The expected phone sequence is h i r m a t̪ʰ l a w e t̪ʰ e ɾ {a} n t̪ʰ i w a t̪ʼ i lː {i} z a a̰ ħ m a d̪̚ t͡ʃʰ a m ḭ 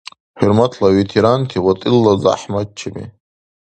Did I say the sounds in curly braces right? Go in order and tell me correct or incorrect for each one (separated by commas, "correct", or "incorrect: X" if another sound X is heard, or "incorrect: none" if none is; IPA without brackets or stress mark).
correct, incorrect: a